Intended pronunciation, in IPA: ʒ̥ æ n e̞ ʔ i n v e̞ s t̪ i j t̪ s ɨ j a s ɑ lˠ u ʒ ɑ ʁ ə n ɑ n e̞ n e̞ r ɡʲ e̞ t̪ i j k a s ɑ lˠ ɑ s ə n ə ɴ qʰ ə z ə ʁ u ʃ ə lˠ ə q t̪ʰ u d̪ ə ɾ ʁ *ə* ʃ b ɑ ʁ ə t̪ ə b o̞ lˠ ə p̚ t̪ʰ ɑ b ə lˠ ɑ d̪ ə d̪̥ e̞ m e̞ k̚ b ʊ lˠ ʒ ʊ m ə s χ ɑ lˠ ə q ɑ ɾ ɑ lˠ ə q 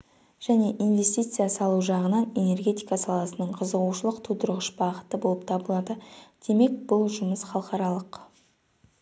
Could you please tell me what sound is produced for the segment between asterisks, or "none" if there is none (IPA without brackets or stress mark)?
ə